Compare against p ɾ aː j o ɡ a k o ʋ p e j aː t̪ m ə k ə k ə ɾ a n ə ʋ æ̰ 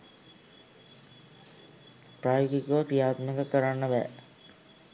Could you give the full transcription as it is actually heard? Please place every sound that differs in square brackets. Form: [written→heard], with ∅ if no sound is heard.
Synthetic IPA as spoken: p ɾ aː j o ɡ [a→i] k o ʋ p [e→i] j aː t̪ m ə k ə k ə ɾ a [n→nː] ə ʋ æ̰